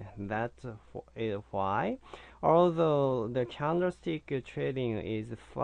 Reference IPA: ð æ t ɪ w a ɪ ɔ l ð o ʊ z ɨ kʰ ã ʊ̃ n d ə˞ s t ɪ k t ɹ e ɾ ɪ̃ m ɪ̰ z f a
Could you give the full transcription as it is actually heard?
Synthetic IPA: ð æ t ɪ w a ɪ ɔ l ð o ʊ ð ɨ kʰ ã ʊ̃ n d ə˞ s t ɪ k tʰ ɹ e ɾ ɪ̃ ŋ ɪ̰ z f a

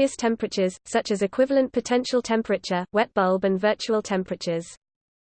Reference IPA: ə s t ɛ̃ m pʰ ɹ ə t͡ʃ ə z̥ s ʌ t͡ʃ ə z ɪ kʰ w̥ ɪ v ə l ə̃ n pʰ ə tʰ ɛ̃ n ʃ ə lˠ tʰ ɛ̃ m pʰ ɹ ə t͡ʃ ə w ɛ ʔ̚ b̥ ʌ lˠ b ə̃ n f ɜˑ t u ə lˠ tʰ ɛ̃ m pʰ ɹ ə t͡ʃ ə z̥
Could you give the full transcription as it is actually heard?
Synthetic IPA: ə s tʰ ɛ̃ m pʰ ɹ ə t͡ʃ ə z̥ s ʌ t͡ʃ ə z ɪ kʰ w̥ ɪ v ə l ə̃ n pʰ ə tʰ ɛ̃ n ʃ ə lˠ tʰ ɛ̃ m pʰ ɹ ə t͡ʃ ə w ɛ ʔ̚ b̥ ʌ lˠ b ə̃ n v ɜˑ t͡ʃ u ə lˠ tʰ ɛ̃ m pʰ ɹ ə t͡ʃ ə z̥

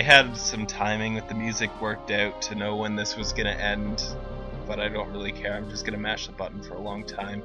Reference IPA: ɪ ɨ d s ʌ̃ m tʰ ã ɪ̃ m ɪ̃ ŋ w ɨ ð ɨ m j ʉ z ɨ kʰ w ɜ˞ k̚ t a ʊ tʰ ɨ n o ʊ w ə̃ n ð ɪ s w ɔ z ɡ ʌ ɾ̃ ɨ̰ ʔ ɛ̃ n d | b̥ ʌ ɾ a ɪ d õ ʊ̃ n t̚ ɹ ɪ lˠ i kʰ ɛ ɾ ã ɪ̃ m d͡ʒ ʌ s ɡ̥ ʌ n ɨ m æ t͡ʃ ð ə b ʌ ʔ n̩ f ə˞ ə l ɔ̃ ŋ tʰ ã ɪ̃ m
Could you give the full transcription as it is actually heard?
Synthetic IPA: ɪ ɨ d s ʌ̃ m tʰ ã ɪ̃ m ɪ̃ ŋ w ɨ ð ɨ m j ʉ z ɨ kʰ w ɜ˞ k̚ t a ʊ tʰ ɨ n o ʊ w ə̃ n ð ɪ s w ʌ z ɡ ʌ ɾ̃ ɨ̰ ʔ ɛ̃ n d | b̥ ʌ ɾ a ɪ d õ ʊ̃ n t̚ ɹ ɪ lˠ i kʰ ɛ ɹ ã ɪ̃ m d͡ʒ ʌ s ɡ̥ ʌ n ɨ m æ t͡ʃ ð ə b ʌ ʔ n̩ f ə˞ ə l ɔ̃ ŋ tʰ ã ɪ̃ m

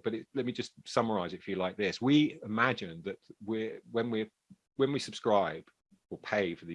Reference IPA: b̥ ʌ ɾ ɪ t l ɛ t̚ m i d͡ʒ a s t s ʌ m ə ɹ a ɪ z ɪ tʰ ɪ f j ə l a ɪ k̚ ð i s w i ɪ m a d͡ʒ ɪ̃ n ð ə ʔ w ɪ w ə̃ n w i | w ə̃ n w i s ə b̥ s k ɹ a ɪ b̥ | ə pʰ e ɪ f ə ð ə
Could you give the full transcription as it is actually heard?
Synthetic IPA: b̥ ʌ ɾ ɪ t l ɛ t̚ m i d͡ʒ ʌ s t s ʌ m ə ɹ a ɪ z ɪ t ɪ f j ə l a ɪ k̚ ð ɪ s w i ɪ m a d͡ʒ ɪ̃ n ð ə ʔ w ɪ w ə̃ n w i | w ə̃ n w i s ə b̥ s k ɹ a ɪ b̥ | ə pʰ e ɪ f ə ð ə

